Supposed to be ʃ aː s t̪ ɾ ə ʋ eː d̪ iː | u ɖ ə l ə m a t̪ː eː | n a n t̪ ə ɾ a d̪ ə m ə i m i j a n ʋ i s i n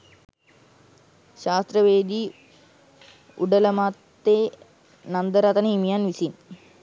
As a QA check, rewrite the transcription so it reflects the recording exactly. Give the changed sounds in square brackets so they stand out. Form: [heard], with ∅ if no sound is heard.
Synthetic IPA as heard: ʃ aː s t̪ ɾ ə ʋ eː d̪ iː | u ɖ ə l ə m a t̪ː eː | n a n [d̪] ə ɾ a [t̪] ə [n] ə i m i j a n ʋ i s i n